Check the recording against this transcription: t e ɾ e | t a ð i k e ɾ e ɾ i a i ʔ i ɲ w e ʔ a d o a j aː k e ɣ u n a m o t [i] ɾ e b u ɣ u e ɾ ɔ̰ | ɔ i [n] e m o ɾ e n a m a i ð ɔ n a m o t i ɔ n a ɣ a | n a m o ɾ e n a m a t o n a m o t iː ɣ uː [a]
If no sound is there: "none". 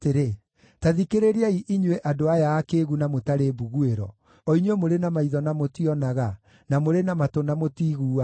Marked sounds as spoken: a, ɲ, a

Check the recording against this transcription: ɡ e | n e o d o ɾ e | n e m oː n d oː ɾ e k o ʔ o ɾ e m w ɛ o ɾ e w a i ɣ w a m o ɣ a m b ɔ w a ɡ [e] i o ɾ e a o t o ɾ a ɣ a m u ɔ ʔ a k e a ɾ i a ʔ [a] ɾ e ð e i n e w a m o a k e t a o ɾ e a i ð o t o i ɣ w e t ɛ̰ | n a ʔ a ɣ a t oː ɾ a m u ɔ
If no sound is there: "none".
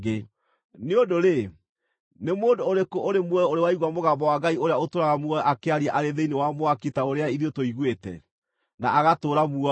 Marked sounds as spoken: a, a

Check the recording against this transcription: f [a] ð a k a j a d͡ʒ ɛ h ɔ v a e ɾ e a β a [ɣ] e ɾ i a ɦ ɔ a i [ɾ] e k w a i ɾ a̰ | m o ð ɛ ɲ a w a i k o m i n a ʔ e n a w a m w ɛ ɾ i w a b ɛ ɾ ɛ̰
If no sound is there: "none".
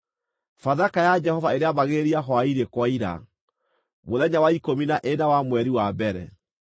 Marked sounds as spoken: a, ɣ, ɾ

